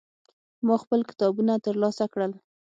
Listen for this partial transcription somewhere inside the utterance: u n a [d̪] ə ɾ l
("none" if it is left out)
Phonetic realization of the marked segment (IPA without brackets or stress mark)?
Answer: t̪